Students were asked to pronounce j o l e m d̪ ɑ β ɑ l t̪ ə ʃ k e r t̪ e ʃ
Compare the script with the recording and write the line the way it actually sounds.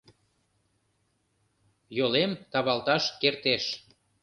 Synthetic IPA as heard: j o l e m t̪ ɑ β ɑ l t̪ ɑ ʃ k e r t̪ e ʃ